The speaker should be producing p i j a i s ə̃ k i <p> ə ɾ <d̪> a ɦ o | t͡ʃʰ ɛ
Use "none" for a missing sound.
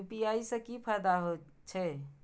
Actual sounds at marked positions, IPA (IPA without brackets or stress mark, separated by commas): pʰ, d̪